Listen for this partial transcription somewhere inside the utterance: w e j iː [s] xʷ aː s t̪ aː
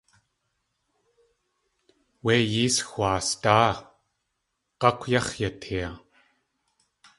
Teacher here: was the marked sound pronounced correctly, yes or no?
yes